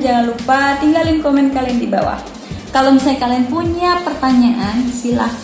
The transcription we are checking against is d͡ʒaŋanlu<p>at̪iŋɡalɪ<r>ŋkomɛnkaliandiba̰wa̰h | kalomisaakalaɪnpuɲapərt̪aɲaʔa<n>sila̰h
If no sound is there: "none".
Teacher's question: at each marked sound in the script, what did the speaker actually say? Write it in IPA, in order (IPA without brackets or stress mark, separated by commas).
p, none, n